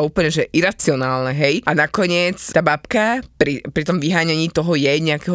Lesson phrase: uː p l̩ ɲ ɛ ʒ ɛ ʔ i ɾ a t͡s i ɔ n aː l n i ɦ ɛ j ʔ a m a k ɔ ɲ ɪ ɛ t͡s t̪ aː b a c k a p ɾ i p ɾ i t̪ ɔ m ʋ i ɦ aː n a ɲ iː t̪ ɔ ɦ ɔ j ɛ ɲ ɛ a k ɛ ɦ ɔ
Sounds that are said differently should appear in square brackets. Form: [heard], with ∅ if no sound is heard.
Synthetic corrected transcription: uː p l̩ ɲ ɛ ʒ ɛ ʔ i ɾ a t͡s i ɔ n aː l n [ɛ] ɦ ɛ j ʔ a [n] a k ɔ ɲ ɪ ɛ t͡s t̪ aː b a [p] k a p ɾ i p ɾ i t̪ ɔ m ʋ i ɦ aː [ɲ] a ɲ iː t̪ ɔ ɦ ɔ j ɛ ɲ ɛ a k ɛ ɦ ɔ